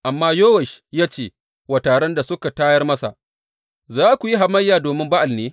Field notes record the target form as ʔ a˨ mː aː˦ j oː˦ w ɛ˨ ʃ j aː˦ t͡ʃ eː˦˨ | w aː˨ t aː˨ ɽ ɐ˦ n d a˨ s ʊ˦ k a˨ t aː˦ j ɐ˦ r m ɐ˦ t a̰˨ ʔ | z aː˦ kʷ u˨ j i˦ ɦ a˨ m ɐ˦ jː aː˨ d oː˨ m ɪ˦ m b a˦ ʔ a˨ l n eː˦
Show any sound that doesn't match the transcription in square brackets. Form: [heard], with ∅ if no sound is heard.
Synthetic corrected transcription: ʔ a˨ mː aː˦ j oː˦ w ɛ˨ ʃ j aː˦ t͡ʃ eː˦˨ | w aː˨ t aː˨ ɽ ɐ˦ n d a˨ s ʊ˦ k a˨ t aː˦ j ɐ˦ r m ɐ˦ [s] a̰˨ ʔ | z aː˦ kʷ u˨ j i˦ ɦ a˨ m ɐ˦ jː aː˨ d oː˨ m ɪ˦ m b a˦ ʔ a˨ l n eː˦